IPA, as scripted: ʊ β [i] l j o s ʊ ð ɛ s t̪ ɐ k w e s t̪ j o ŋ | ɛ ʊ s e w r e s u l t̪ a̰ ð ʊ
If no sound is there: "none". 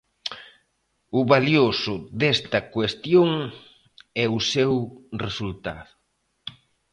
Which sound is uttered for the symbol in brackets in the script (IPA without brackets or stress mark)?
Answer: a